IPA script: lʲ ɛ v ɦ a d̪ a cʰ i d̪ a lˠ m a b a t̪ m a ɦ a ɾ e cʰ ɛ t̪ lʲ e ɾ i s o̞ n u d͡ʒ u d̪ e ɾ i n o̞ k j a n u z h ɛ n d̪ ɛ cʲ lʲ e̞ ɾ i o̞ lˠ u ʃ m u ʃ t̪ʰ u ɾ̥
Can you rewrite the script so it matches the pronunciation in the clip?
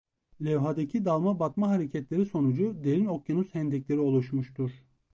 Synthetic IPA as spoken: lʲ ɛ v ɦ a d̪ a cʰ i d̪ a lˠ m a b a t̪ m a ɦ a ɾ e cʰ ɛ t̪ lʲ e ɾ i s o̞ n u d͡ʒ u d̪ e ɾ i n o̞ k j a n u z h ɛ n d̪ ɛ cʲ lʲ e̞ ɾ i o̞ lˠ u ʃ m u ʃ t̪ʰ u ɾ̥